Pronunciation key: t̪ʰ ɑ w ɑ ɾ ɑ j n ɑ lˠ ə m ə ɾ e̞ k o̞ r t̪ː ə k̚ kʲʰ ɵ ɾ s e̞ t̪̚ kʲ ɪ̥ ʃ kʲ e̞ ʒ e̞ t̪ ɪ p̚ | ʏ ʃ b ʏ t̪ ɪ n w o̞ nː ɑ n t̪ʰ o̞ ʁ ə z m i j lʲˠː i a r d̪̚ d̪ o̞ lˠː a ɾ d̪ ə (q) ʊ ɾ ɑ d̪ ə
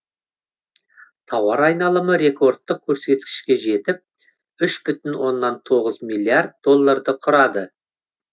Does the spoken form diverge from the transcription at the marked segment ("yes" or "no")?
yes